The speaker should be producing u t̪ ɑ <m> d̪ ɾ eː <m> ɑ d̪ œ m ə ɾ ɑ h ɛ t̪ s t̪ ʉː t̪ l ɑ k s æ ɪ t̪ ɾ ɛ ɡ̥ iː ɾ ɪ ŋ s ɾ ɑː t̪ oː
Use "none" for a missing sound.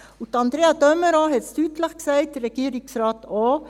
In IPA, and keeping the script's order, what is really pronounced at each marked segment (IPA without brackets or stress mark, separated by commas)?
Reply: n, none